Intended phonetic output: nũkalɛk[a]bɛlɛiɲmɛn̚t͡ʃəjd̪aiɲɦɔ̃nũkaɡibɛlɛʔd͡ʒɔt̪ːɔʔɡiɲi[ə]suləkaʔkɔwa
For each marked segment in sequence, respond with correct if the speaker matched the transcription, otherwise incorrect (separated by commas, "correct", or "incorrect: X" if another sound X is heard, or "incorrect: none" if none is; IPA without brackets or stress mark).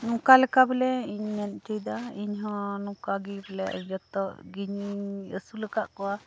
correct, correct